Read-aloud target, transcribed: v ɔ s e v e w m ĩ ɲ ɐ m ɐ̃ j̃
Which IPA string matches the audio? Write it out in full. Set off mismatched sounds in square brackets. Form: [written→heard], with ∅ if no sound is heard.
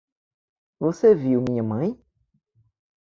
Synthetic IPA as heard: v [ɔ→o] s e v [e→i] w m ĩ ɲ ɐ m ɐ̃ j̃